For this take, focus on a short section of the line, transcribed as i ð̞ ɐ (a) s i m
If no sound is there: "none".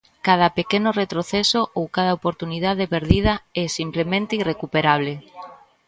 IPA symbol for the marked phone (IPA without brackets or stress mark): ɛ